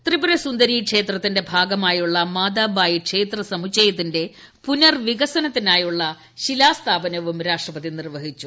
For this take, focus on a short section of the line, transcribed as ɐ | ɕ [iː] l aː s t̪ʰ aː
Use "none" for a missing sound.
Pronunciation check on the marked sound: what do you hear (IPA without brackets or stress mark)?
i